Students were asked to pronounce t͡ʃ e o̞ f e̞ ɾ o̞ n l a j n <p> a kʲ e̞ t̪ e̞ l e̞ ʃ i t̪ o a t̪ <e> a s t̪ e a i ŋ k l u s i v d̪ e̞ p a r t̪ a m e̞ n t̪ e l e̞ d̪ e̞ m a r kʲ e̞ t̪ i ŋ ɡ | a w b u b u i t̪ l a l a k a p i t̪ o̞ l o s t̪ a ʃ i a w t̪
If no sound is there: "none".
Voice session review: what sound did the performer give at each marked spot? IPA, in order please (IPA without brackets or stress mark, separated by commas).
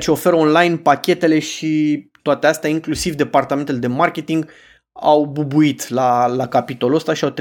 p, e